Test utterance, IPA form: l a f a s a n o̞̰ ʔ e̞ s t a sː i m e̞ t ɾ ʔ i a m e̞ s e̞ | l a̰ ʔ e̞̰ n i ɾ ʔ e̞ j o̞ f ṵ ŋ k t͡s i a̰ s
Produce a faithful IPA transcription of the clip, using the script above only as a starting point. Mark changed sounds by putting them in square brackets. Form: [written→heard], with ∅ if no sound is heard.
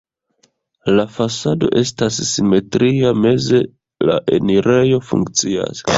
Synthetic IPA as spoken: l a f a s a [n→d] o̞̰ ʔ e̞ s t a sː i m e̞ t ɾ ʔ i a m e̞ [s→z] e̞ | l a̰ ʔ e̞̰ n i ɾ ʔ e̞ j o̞ f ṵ ŋ k t͡s i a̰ s